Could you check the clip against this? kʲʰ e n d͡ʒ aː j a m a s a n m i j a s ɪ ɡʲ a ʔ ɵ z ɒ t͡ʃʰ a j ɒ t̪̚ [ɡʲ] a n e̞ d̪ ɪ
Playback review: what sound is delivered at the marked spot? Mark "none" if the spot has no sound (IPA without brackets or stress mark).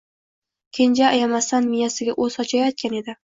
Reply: kʲ